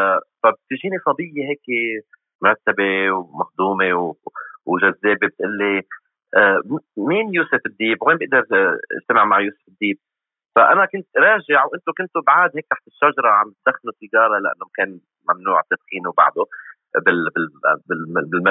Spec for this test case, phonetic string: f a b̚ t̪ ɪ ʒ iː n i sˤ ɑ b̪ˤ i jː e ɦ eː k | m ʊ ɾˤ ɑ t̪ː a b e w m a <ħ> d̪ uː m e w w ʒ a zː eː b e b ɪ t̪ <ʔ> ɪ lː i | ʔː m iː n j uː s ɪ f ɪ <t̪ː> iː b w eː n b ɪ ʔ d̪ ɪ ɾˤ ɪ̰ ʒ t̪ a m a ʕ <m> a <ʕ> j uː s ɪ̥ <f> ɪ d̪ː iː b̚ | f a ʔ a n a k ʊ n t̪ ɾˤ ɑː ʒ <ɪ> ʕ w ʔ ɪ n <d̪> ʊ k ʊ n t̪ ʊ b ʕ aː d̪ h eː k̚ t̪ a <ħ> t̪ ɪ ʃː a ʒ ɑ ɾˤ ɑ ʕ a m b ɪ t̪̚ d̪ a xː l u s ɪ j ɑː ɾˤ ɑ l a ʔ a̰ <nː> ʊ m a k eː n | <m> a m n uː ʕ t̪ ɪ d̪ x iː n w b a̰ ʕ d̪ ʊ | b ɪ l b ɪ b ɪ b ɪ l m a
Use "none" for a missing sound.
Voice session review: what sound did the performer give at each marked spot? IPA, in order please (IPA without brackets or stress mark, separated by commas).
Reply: x, ʔ, d̪ː, m, ʕ, f, ɪ, t̪, ħ, nː, m